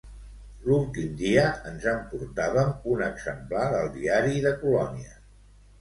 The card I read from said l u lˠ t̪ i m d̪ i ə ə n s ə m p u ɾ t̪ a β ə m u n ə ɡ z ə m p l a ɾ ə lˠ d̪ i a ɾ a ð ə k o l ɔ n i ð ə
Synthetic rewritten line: l u lˠ t̪ i m d̪ i ə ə n z ə m p u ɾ t̪ a β ə m u n ə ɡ z ə m p l a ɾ ə lˠ d̪ i a ɾ i ð ə k u l ɔ n i ə